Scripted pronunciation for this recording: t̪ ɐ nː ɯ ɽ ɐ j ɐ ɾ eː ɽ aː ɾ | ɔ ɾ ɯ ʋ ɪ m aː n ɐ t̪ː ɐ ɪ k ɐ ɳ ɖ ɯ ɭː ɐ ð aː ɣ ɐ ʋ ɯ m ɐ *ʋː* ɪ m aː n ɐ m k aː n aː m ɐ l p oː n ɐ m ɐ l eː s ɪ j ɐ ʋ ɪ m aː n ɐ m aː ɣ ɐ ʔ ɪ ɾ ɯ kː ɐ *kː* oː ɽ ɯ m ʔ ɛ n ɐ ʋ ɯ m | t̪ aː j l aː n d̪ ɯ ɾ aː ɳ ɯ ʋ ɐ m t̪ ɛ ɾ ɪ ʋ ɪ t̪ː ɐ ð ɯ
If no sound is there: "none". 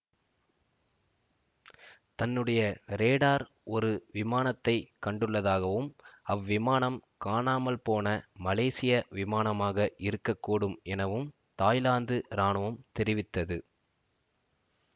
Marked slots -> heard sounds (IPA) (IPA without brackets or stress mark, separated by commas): ʋː, kː